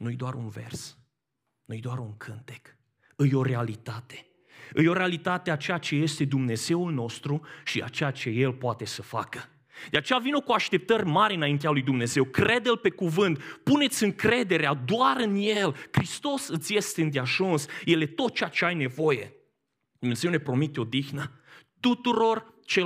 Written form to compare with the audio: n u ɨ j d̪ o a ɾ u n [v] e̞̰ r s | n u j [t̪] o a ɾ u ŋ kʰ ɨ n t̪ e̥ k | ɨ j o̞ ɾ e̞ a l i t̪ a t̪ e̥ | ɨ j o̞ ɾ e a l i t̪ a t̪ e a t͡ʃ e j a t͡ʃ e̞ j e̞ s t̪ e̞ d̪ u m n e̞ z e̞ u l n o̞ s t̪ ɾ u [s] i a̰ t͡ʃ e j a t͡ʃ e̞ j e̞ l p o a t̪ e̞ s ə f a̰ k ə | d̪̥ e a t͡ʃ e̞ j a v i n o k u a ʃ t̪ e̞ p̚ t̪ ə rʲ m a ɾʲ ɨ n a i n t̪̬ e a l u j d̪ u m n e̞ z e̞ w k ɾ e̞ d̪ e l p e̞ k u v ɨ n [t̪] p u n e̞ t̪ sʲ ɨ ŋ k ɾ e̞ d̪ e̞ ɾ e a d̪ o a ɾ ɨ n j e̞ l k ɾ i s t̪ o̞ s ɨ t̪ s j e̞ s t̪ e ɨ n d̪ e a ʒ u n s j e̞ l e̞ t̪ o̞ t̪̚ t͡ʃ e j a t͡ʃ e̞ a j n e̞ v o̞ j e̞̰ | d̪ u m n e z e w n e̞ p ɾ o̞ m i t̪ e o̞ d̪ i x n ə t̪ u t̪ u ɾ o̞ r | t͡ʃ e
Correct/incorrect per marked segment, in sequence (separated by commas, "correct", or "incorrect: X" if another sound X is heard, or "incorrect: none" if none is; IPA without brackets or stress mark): correct, incorrect: d̪, incorrect: ʃ, correct